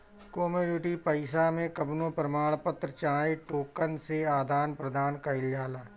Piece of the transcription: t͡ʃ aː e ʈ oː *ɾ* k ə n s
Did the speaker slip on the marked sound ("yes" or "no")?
yes